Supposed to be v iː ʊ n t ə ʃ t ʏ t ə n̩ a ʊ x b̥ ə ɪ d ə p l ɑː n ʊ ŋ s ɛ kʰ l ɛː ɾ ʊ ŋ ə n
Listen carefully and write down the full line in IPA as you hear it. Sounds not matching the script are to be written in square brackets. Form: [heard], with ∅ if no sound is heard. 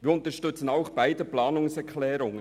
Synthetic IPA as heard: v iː ʊ n t ə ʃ t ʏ [t͡s] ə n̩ a ʊ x b̥ [a] ɪ d ə p l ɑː n ʊ ŋ s ɛ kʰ l ɛː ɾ ʊ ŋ ə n